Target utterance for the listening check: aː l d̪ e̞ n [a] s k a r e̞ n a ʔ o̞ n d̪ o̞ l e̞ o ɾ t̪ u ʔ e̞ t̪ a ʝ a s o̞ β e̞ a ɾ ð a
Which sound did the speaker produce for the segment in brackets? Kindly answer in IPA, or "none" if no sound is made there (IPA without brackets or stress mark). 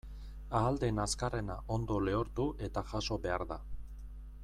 a